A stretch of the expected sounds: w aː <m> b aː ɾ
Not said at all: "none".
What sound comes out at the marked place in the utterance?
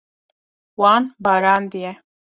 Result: n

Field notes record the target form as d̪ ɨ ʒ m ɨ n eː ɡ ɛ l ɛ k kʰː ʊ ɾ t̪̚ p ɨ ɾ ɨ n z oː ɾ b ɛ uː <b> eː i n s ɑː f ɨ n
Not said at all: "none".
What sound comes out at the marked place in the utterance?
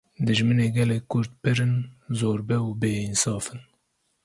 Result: b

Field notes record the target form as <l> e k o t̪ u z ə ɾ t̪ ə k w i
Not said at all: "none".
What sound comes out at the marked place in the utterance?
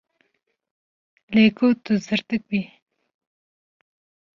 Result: l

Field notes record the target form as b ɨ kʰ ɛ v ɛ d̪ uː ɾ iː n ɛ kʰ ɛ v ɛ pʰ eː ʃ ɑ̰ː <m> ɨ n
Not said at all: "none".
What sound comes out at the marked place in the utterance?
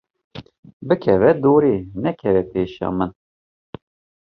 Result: m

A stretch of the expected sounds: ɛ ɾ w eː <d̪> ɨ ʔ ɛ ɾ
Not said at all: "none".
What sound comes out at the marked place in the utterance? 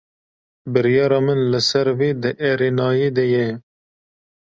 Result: d̪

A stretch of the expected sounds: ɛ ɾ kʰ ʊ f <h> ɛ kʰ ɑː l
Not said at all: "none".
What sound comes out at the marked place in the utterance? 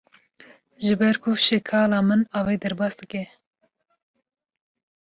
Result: ʃ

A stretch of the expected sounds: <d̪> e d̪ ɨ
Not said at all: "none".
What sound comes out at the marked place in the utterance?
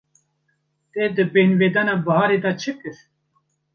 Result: t̪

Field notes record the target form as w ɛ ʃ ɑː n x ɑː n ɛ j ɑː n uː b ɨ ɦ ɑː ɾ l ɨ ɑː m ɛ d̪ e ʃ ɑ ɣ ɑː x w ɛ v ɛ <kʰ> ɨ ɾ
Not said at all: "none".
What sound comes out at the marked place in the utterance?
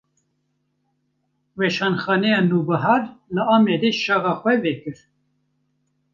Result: k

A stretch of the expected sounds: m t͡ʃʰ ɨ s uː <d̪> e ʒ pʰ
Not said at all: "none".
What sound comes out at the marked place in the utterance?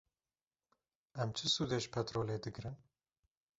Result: d̪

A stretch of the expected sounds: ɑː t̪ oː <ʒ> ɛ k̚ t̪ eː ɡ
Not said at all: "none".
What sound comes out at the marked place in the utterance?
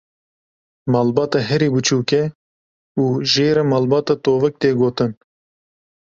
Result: v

